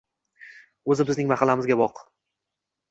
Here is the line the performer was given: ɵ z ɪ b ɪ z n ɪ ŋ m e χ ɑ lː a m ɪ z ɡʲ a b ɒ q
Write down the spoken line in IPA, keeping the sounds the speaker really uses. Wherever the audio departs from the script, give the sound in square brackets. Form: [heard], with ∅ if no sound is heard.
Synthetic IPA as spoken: ɵ z ɪ b ɪ z n ɪ ŋ m [a] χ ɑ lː a m ɪ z ɡʲ a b ɒ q